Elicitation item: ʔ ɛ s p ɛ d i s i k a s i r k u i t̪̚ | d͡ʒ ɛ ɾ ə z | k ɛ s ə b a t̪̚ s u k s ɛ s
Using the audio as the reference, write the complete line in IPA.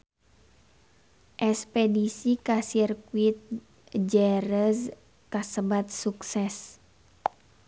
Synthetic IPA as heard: ʔ ɛ s p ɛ d i s i k a s i r k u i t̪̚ | d͡ʒ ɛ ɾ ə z | k a s ə b a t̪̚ s u k s ɛ s